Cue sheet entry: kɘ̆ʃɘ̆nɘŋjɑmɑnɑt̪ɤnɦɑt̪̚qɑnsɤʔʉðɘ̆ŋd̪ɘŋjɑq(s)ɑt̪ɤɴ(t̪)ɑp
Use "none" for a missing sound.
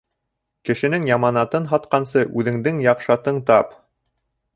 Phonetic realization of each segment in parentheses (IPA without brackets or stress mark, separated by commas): ʃ, t̪